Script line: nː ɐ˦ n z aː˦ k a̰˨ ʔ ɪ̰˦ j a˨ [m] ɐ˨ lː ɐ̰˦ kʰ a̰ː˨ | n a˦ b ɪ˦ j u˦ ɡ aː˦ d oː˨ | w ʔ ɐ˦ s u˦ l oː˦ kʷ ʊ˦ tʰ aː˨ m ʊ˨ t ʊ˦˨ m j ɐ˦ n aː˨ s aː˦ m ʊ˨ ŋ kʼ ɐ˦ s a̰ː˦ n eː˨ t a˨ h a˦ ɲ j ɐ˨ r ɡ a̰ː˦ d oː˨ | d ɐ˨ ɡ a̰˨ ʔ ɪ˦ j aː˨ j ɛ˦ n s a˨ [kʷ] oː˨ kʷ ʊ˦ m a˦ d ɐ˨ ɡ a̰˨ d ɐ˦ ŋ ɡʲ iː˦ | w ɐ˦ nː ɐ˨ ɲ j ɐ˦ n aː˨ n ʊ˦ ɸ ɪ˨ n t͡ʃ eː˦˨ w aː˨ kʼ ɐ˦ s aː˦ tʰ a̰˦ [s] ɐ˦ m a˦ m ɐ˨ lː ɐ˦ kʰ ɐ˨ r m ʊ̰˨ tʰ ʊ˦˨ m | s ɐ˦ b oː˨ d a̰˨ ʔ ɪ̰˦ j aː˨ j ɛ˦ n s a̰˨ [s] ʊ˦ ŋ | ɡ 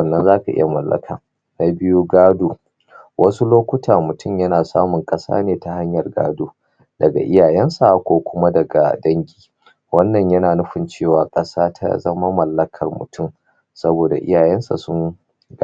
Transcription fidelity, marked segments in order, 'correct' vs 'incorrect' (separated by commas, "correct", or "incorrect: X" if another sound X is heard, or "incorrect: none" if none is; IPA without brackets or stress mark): correct, correct, incorrect: z, correct